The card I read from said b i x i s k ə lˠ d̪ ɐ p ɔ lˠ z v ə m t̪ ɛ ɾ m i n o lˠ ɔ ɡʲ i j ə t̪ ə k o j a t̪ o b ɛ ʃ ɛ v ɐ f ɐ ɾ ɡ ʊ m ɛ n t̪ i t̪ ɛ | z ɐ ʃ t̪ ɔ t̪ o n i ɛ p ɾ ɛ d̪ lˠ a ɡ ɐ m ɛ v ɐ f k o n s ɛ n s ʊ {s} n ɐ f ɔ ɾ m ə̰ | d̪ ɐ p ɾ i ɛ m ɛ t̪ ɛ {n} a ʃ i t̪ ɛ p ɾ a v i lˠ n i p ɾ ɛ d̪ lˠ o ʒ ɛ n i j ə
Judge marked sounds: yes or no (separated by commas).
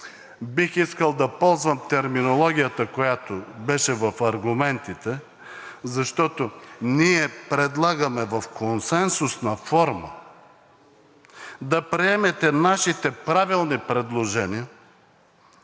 yes, yes